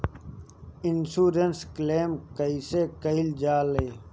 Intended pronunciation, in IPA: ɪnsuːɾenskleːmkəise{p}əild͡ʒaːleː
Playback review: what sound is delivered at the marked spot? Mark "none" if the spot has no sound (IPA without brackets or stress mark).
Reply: k